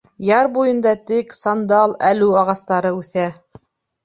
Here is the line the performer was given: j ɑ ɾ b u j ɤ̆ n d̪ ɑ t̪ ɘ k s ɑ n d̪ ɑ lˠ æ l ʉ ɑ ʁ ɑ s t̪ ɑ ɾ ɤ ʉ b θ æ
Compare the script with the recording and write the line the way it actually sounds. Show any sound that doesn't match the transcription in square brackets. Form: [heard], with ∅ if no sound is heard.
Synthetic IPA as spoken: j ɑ ɾ b u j ɤ̆ n d̪ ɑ t̪ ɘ k s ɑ n d̪ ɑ lˠ æ l ʉ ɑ ʁ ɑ s t̪ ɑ ɾ ɤ ʉ [∅] θ æ

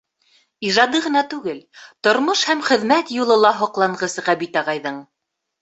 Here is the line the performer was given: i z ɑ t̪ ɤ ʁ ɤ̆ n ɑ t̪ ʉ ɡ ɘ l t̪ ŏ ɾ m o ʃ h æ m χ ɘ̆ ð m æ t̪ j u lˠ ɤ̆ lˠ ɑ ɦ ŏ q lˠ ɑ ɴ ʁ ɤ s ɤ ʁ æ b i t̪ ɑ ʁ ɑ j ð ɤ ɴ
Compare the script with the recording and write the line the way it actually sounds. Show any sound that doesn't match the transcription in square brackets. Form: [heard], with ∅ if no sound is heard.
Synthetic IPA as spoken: i [ʒ] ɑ [d̪] ɤ ʁ ɤ̆ n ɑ t̪ ʉ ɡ ɘ l t̪ ŏ ɾ m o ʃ h æ m χ ɘ̆ ð m æ t̪ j u lˠ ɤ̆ lˠ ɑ ɦ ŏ q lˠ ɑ ɴ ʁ ɤ s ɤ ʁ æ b i t̪ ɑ ʁ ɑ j ð ɤ ɴ

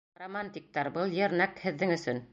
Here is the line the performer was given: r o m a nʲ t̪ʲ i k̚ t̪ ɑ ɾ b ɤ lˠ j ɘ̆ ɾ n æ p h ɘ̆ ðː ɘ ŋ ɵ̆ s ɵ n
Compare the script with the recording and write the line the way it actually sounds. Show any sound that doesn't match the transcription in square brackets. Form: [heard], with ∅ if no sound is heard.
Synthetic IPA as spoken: r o m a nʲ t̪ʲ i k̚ t̪ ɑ ɾ b ɤ lˠ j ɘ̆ ɾ n æ [k] h ɘ̆ ðː ɘ ŋ ɵ̆ s ɵ n

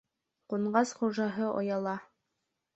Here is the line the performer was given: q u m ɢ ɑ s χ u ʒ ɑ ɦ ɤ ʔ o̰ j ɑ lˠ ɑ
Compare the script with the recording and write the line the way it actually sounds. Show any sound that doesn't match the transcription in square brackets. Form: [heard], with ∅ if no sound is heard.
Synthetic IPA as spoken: q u [ɴ] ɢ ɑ s χ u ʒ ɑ ɦ ɤ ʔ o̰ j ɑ lˠ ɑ

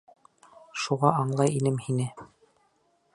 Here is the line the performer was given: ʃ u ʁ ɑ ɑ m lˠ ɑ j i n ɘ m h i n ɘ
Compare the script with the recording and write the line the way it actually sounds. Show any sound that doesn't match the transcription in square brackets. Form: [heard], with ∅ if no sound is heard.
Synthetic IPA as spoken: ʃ u ʁ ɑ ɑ [ɴ] lˠ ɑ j i n ɘ m h i n ɘ

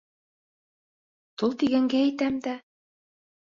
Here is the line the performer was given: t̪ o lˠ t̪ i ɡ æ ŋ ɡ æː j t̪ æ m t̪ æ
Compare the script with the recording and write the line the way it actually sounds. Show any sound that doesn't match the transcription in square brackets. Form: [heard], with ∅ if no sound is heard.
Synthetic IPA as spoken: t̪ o lˠ t̪ i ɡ æ ŋ ɡ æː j t̪ æ m [d̪] æ

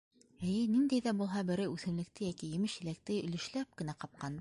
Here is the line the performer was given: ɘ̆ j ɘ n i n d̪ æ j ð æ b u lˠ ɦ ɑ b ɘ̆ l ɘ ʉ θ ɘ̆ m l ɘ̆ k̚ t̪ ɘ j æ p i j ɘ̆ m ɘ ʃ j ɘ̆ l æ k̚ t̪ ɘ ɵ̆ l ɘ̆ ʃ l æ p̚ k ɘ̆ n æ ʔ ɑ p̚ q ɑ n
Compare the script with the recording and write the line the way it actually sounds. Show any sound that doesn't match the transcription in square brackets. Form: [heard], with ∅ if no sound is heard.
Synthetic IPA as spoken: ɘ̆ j ɘ n i n d̪ æ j ð æ b u lˠ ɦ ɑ b ɘ̆ [ɾ] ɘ ʉ θ ɘ̆ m l ɘ̆ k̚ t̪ ɘ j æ [k] i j ɘ̆ m ɘ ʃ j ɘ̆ l æ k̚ t̪ ɘ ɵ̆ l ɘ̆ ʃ l æ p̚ k ɘ̆ n æ [q] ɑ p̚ q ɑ n

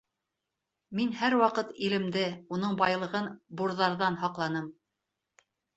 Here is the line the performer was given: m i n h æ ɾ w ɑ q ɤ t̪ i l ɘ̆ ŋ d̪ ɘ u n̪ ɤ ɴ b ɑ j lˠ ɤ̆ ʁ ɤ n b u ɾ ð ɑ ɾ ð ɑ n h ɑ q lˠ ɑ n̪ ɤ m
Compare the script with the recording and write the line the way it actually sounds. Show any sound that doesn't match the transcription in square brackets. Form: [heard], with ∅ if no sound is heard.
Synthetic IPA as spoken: m i n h æ ɾ w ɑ q ɤ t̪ i l ɘ̆ [m] d̪ ɘ u n̪ ɤ ɴ b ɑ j lˠ ɤ̆ ʁ ɤ n b u ɾ ð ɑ ɾ ð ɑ n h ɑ q lˠ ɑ n̪ ɤ m

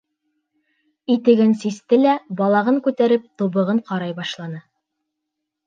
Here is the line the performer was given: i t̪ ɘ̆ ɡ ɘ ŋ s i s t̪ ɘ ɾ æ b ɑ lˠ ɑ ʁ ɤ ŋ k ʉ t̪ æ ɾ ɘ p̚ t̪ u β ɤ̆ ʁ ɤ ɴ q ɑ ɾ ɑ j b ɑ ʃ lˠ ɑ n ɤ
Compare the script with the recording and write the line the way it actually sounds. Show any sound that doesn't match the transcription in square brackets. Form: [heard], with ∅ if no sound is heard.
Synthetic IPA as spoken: i t̪ ɘ̆ ɡ ɘ [n] s i s t̪ ɘ [l] æ b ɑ lˠ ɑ ʁ ɤ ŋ k ʉ t̪ æ ɾ ɘ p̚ t̪ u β ɤ̆ ʁ ɤ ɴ q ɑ ɾ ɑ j b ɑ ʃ lˠ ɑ n ɤ

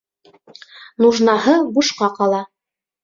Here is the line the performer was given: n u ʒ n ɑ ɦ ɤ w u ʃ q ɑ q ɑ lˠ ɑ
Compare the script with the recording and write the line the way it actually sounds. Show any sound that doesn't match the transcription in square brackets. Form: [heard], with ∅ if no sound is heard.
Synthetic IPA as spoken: n u ʒ n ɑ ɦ ɤ [b] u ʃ q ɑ q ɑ lˠ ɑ

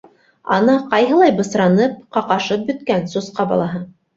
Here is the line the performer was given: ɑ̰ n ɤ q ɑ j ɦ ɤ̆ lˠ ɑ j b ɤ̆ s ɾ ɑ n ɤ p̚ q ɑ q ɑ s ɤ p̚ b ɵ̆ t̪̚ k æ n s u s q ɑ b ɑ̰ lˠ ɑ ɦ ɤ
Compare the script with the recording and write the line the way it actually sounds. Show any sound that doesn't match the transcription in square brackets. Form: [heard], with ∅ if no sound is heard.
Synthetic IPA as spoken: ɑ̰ n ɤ q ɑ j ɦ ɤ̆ lˠ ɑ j b ɤ̆ s ɾ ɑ n ɤ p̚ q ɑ q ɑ [ʃ] ɤ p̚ b ɵ̆ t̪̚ k æ n s u s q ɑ b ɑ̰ lˠ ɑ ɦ ɤ

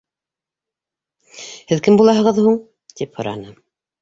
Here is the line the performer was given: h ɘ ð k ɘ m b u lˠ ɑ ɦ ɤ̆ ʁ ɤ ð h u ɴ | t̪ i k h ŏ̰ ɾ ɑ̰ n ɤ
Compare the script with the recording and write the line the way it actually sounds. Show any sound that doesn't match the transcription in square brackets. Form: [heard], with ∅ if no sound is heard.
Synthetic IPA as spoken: h ɘ ð k ɘ m b u lˠ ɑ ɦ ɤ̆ ʁ ɤ ð h u ɴ | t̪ i [p] h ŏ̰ ɾ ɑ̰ n ɤ

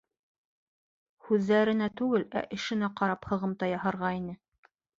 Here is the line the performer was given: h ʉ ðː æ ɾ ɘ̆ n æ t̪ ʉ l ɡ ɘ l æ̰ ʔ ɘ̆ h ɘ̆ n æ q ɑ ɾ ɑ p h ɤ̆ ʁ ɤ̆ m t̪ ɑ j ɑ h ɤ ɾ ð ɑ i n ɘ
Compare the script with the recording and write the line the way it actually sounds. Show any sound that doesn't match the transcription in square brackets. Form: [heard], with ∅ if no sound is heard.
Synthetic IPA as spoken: h ʉ ðː æ ɾ ɘ̆ n æ t̪ ʉ [∅] ɡ ɘ l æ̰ ʔ ɘ̆ [ʃ] ɘ̆ n æ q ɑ ɾ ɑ p h ɤ̆ ʁ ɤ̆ m t̪ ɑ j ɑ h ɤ ɾ [ʁ] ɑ i n ɘ

